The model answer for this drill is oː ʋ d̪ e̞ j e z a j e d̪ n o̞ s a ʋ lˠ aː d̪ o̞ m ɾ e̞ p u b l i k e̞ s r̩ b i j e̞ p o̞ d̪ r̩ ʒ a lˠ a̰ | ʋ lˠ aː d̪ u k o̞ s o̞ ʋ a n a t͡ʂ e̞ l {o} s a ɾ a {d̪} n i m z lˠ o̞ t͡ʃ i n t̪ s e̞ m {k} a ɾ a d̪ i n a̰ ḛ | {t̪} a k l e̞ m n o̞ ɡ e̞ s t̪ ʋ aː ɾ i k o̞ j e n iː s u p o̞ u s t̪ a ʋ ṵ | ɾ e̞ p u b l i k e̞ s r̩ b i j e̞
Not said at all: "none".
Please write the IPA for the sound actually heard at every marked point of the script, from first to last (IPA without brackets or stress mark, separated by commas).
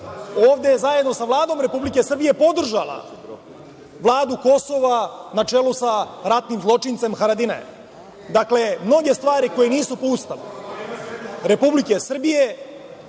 u, t̪, x, d̪